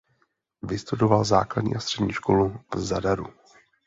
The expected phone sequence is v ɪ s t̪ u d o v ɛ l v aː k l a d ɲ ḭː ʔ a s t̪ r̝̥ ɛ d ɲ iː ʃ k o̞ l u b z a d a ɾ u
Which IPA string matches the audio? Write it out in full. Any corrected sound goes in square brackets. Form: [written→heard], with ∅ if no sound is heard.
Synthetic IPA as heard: v ɪ s t̪ u d o v [ɛ→a] l [v→z] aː k l a d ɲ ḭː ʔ a s t̪ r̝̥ ɛ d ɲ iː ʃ k o̞ l u [b→v] z a d a ɾ u

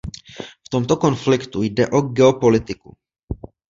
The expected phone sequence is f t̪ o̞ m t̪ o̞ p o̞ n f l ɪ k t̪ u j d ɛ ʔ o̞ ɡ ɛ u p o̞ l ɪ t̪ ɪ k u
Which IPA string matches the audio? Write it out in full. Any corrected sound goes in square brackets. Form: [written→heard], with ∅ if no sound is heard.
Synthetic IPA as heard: f t̪ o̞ m t̪ o̞ [p→k] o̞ n f l ɪ k t̪ u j d ɛ ʔ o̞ ɡ ɛ [u→o] p o̞ l ɪ t̪ ɪ k u

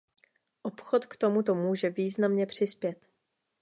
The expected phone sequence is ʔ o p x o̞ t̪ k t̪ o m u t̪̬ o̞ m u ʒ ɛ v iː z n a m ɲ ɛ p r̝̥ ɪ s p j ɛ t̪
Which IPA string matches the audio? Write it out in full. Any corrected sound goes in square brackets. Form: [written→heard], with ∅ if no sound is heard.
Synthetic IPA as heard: ʔ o p x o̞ t̪ k t̪ o m u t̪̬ o̞ m [u→uː] ʒ ɛ v iː z n a m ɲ ɛ p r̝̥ ɪ s p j ɛ t̪

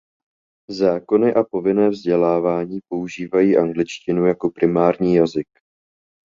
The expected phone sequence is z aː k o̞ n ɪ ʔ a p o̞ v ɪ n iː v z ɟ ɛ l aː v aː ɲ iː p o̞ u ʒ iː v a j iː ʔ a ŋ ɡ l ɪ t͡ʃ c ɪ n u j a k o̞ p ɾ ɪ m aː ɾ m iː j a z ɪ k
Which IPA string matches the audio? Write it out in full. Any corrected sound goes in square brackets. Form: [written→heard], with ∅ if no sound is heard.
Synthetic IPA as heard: z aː k o̞ n ɪ ʔ a p o̞ v ɪ n [iː→ɛː] v z ɟ ɛ l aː v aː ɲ iː p o̞ u ʒ iː v a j iː ʔ a ŋ ɡ l ɪ t͡ʃ c ɪ n u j a k o̞ p ɾ ɪ m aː ɾ [m→ɲ] iː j a z ɪ k

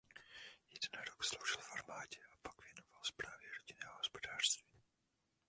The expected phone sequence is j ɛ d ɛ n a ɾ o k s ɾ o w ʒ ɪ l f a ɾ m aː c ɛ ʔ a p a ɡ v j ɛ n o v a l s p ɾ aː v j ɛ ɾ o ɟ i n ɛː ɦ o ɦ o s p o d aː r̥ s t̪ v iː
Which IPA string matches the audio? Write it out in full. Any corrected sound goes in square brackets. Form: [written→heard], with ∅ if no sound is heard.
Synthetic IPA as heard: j ɛ d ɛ n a ɾ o k s [ɾ→l] o w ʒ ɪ l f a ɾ m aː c ɛ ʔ a p a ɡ v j ɛ n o v a l s p ɾ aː v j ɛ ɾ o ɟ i n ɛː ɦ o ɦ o s p o d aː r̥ s t̪ v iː

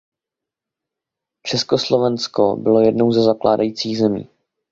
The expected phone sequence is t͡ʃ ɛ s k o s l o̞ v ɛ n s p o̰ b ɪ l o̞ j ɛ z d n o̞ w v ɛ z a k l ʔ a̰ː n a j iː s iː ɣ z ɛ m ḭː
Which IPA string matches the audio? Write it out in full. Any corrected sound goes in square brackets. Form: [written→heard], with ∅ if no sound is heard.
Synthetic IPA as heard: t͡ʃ ɛ s k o s l o̞ v ɛ n s [p→k] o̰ b ɪ l o̞ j ɛ [z→∅] d n o̞ w [v→z] ɛ z a k l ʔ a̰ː [n→d] a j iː [s→t͡s] iː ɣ z ɛ m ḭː

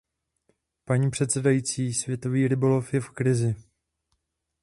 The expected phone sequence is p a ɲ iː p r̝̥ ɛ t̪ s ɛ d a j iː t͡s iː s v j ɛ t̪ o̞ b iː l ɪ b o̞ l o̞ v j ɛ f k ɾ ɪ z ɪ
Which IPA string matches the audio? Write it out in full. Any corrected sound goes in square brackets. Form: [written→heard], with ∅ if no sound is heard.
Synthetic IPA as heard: p a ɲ iː p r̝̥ ɛ t̪ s ɛ d a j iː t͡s iː s v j ɛ t̪ o̞ [b→v] iː [l→ɾ] ɪ b o̞ l o̞ [v→f] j ɛ f k ɾ ɪ z ɪ

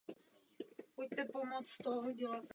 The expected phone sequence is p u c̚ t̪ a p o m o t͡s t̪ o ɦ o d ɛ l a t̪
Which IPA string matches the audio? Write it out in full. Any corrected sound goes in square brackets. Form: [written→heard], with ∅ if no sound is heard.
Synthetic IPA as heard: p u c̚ t̪ [a→ɛ] p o m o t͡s t̪ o ɦ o [d→ɟ] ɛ l a t̪

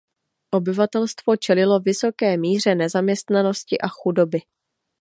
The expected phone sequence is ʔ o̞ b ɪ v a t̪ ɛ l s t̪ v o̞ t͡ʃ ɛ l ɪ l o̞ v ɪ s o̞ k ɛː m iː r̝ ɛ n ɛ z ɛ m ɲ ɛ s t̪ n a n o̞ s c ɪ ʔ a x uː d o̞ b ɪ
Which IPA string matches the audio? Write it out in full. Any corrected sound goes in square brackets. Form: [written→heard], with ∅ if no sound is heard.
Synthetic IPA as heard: ʔ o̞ b ɪ v a t̪ ɛ l s t̪ v o̞ t͡ʃ ɛ l ɪ l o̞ v ɪ s o̞ k ɛː m iː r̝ ɛ n ɛ z [ɛ→a] m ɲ ɛ s t̪ n a n o̞ s c ɪ ʔ a x [uː→u] d o̞ b ɪ

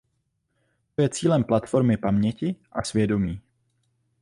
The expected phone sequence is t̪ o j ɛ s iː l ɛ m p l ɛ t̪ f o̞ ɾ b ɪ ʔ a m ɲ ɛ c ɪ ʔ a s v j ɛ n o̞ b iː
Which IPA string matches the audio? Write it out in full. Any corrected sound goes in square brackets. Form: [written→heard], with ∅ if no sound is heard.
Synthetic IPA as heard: t̪ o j ɛ [s→t͡s] iː l ɛ m p l [ɛ→a] t̪ f o̞ ɾ [b→m] ɪ [ʔ→p] a m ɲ ɛ c ɪ ʔ a s v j ɛ [n→d] o̞ [b→m] iː

